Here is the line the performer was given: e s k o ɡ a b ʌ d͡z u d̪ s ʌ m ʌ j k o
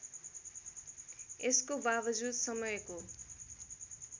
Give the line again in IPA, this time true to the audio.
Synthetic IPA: e s k o b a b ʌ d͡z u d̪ s ʌ m ʌ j k o